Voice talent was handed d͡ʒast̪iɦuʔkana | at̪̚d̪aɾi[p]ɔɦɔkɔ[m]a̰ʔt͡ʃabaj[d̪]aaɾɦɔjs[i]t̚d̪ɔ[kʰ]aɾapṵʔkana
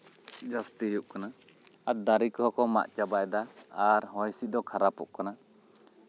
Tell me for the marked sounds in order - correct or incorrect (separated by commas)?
incorrect, correct, correct, correct, correct